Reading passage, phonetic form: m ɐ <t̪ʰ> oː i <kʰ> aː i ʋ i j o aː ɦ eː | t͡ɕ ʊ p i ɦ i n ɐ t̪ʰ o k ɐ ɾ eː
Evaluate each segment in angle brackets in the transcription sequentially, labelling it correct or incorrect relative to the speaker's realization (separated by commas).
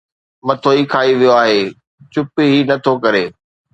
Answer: correct, correct